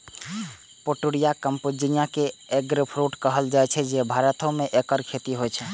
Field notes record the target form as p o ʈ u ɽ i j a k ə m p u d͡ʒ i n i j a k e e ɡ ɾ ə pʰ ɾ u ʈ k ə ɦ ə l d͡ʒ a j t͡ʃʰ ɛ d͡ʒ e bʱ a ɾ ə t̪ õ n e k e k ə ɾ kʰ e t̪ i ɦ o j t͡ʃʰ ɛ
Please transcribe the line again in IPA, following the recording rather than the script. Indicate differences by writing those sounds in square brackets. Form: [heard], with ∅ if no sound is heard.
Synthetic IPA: p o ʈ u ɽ i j a k ə m p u d͡ʒ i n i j a k e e ɡ ɾ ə pʰ ɾ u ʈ k ə ɦ ə l d͡ʒ a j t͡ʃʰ ɛ d͡ʒ e bʱ a ɾ ə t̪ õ [m] e [ʔ] e k ə ɾ kʰ e t̪ i ɦ o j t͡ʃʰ ɛ